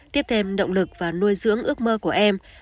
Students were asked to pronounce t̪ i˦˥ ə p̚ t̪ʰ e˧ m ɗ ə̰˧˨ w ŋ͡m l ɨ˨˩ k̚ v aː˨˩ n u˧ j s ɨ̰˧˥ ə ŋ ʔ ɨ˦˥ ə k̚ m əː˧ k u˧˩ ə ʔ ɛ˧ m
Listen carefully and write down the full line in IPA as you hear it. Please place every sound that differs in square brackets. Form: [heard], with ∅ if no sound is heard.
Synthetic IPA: t̪ i˦˥ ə p̚ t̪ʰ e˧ m ɗ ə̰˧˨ w ŋ͡m l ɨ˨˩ k̚ v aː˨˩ n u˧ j [z] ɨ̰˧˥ ə ŋ ʔ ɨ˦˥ ə k̚ m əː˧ k u˧˩ ə ʔ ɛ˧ m